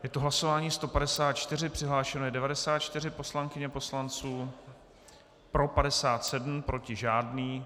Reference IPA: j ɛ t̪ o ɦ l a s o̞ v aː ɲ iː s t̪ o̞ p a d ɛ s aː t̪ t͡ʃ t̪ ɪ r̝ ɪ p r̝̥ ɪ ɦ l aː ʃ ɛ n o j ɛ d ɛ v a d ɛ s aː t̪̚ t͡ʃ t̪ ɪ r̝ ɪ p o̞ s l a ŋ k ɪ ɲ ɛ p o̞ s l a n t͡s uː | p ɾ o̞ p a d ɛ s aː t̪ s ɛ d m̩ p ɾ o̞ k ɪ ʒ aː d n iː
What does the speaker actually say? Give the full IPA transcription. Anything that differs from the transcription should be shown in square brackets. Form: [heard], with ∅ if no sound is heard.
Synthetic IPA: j ɛ t̪ o ɦ l a s o̞ v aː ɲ iː s t̪ o̞ p a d ɛ s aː t̪ t͡ʃ t̪ ɪ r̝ ɪ p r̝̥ ɪ ɦ l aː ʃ ɛ n o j ɛ d ɛ v a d ɛ s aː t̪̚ t͡ʃ t̪ ɪ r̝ ɪ p o̞ s l a ŋ k ɪ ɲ ɛ p o̞ s l a n t͡s uː | p ɾ o̞ p a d ɛ s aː t̪ s ɛ d m̩ p ɾ o̞ [c] ɪ ʒ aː d n iː

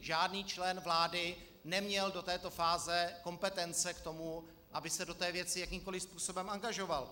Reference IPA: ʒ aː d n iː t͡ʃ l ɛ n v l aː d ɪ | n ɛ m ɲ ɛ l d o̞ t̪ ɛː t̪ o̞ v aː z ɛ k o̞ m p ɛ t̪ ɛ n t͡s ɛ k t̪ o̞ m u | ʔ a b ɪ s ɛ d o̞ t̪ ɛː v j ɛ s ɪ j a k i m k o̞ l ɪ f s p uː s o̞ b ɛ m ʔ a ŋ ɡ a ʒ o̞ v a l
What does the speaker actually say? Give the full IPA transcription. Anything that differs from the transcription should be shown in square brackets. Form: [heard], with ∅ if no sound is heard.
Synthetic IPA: ʒ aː d n iː t͡ʃ l ɛ n v l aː d ɪ | n ɛ m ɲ ɛ l d o̞ t̪ ɛː t̪ o̞ [f] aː z ɛ k o̞ m p ɛ t̪ ɛ n t͡s ɛ k t̪ o̞ m u | ʔ a b ɪ s ɛ d o̞ t̪ ɛː v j ɛ [t͡s] ɪ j a k i m k o̞ l ɪ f s p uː s o̞ b ɛ m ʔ a ŋ ɡ a ʒ o̞ v a l

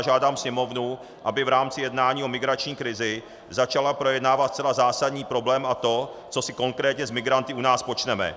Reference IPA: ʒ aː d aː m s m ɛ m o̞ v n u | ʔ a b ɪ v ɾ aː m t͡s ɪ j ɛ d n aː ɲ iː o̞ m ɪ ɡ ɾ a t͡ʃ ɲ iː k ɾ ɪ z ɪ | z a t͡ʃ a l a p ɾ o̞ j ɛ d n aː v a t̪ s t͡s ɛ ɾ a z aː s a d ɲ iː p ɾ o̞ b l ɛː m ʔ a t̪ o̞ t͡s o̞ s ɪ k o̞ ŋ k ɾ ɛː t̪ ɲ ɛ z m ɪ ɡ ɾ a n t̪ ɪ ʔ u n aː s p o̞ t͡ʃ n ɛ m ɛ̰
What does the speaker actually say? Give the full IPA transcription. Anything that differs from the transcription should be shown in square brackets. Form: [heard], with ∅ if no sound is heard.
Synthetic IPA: ʒ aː d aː m s [ɲ] ɛ m o̞ v n u | ʔ a b ɪ v ɾ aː m t͡s ɪ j ɛ d n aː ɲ iː o̞ m ɪ ɡ ɾ a t͡ʃ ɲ iː k ɾ ɪ z ɪ | z a t͡ʃ a l a p ɾ o̞ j ɛ d n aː v a t̪ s t͡s ɛ [l] a z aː s a d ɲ iː p ɾ o̞ b l ɛː m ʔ a t̪ o̞ t͡s o̞ s ɪ k o̞ ŋ k ɾ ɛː t̪ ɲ ɛ z m ɪ ɡ ɾ a n t̪ ɪ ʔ u n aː s p o̞ t͡ʃ n ɛ m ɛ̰

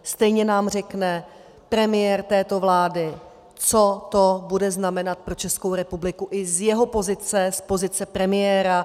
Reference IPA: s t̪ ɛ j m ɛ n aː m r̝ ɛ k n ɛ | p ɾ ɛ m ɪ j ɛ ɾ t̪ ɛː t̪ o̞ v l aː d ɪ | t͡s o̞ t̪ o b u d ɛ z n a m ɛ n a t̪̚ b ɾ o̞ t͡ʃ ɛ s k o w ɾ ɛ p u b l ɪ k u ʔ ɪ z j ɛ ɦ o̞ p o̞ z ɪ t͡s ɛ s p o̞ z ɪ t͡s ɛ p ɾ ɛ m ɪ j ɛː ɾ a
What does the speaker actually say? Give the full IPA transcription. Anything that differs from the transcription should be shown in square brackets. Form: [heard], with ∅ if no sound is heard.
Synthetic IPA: s t̪ ɛ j [ɲ] ɛ n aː m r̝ ɛ k n ɛ | p ɾ ɛ m ɪ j ɛ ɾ t̪ ɛː t̪ o̞ v l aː d ɪ | t͡s o̞ t̪ o b u d ɛ z n a m ɛ n a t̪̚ [p] ɾ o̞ t͡ʃ ɛ s k o w ɾ ɛ p u b l ɪ k u ʔ ɪ z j ɛ ɦ o̞ p o̞ z ɪ t͡s ɛ s p o̞ z ɪ t͡s ɛ p ɾ ɛ m ɪ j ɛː ɾ a

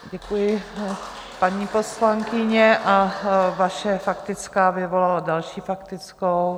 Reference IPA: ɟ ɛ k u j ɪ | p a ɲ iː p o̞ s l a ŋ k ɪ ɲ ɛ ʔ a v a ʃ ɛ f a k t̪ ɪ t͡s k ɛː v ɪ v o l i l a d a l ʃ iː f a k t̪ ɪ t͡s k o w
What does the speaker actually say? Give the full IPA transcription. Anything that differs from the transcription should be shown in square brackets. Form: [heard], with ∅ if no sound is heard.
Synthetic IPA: ɟ ɛ k u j ɪ | p a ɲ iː p o̞ s l a ŋ k ɪ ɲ ɛ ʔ a v a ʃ ɛ f a k t̪ ɪ t͡s k [aː] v ɪ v o l [a] l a d a l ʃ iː f a k t̪ ɪ t͡s k o w

